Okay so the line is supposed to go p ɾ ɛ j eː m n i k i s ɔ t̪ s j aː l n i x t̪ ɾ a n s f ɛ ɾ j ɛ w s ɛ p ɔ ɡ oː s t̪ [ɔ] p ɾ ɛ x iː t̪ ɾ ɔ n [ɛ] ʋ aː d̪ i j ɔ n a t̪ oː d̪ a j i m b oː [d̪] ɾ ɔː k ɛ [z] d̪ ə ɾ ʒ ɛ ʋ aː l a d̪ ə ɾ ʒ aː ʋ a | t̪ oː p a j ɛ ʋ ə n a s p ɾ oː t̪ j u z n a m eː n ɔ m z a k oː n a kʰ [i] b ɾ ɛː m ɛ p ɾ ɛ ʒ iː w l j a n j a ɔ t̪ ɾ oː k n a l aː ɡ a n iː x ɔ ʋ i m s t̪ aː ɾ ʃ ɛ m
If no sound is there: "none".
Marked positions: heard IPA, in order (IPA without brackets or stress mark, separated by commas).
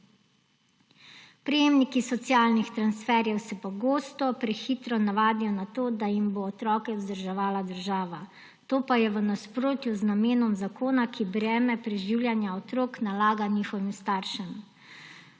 ɔ, a, t̪, z, i